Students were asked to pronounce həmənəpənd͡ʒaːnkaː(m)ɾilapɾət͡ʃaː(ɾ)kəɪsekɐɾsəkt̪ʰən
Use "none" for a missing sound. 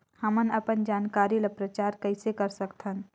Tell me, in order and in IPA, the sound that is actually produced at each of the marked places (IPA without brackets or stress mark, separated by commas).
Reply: none, ɾ